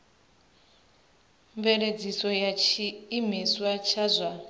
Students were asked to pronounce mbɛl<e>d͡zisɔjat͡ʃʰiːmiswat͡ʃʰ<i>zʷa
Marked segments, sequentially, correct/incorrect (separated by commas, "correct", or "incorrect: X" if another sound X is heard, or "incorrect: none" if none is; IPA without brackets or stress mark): correct, incorrect: a